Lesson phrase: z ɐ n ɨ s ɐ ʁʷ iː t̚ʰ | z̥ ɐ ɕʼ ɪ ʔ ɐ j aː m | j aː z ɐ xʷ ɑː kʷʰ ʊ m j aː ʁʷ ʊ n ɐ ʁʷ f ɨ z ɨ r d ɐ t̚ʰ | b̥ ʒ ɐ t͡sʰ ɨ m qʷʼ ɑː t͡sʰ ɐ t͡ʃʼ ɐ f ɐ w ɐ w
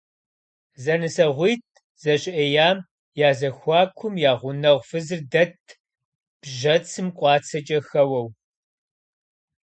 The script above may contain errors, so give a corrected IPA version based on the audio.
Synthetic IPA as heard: z ɐ n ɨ s ɐ ʁʷ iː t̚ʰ | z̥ ɐ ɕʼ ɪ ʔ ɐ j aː m | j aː z ɐ xʷ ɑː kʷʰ ʊ m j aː ʁʷ ʊ n ɐ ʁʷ f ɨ z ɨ r d ɐ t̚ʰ | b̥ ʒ ɐ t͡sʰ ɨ m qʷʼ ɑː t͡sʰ ɐ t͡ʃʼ ɐ x ɐ w ɐ w